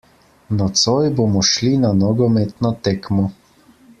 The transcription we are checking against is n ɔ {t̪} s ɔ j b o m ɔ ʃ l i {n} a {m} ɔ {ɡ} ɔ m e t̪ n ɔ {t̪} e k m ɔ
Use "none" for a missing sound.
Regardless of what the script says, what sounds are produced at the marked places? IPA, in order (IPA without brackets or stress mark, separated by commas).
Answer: t̪, n, n, ɡ, t̪